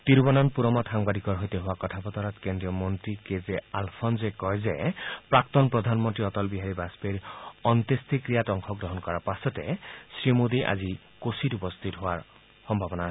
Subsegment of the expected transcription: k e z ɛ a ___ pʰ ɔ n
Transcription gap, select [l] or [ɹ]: l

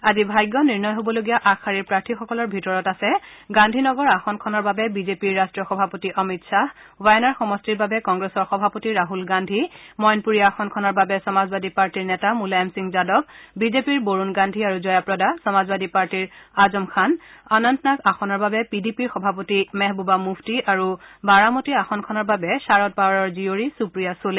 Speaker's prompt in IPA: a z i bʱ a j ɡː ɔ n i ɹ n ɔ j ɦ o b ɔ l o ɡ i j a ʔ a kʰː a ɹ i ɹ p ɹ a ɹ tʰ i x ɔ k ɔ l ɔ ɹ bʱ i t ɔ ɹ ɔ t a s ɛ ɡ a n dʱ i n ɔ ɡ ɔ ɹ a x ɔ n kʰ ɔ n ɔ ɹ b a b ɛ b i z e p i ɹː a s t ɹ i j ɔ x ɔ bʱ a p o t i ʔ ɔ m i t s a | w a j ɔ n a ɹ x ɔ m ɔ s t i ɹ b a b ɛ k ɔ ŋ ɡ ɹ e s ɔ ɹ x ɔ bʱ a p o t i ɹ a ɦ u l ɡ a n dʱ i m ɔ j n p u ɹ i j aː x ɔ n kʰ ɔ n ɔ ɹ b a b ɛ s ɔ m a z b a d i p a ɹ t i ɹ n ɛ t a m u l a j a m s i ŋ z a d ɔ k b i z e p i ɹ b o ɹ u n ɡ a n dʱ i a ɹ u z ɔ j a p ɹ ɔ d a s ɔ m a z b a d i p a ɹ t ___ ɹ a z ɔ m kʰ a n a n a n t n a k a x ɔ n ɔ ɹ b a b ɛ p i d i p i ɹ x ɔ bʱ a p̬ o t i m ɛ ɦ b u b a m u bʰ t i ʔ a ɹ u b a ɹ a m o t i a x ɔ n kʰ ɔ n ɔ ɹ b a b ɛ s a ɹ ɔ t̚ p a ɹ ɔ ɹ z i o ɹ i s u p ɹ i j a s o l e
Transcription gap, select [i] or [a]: i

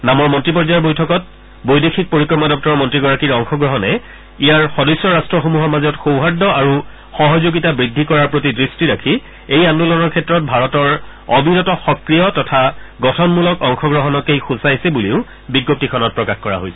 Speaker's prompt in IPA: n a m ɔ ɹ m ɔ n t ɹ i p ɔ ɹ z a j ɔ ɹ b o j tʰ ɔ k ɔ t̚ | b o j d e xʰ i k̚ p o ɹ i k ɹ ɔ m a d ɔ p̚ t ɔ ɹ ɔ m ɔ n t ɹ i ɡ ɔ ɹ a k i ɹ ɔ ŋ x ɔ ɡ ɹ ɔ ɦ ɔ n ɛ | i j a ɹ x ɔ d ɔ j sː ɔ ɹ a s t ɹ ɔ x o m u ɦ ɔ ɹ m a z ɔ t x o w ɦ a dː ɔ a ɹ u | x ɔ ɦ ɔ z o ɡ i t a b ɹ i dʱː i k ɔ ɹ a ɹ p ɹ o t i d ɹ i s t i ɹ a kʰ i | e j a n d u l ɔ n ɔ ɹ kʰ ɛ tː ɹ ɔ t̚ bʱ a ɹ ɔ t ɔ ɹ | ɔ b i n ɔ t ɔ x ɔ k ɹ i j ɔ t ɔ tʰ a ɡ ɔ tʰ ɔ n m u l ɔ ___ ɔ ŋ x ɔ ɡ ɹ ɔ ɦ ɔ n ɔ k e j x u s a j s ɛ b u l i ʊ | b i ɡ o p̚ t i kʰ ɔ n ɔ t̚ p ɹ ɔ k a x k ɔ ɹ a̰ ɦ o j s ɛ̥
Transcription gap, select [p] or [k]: k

